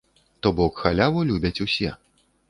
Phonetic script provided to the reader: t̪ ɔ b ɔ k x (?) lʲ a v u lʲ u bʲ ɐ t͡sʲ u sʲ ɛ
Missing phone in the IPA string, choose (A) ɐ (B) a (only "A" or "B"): B